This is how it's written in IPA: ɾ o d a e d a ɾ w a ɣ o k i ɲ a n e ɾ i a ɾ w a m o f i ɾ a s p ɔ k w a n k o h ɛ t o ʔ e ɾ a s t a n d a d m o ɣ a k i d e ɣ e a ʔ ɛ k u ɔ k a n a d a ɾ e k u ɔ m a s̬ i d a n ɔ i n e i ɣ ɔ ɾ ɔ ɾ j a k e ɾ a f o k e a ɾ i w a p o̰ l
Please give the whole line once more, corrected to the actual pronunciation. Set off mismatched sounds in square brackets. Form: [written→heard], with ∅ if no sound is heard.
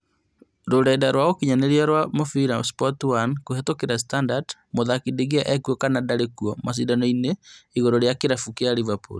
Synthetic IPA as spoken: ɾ o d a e d a ɾ w a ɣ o k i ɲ a n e ɾ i a ɾ w a m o f i ɾ a s p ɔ [k→t] w a n k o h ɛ t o [ʔ→k] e ɾ a s t a n d a d m o [ɣ→ð] a k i d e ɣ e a ʔ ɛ k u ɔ k a n a d a ɾ e k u ɔ m a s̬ i d a n ɔ i n e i ɣ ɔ ɾ ɔ ɾ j a k e ɾ a f [o→u] k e a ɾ i [w→v] a p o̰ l